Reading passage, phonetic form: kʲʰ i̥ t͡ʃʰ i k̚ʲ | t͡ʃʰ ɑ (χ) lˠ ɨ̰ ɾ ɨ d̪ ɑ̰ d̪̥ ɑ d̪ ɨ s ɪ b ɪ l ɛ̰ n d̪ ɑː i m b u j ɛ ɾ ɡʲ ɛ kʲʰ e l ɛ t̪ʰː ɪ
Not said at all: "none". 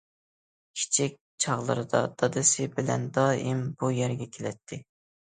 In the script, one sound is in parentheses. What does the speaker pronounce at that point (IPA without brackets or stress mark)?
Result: ʁ